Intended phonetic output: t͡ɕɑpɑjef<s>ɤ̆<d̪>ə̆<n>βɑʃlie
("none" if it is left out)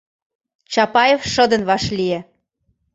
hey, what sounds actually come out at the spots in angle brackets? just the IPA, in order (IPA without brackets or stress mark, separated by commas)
ʃ, d̪, n